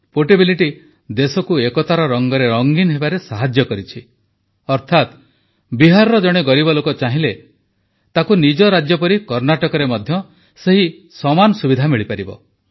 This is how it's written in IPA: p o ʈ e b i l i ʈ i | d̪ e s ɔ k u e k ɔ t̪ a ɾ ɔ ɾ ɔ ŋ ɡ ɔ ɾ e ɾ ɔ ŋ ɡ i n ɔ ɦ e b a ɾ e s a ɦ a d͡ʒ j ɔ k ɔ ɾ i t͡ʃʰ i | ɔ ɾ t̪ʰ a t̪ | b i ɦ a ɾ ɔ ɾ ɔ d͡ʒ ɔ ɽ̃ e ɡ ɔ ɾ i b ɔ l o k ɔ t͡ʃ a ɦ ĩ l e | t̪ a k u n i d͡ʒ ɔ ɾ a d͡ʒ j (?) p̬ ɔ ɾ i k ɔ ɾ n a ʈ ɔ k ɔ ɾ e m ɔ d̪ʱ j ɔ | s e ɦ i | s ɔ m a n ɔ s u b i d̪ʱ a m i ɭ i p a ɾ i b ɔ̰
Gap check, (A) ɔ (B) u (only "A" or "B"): A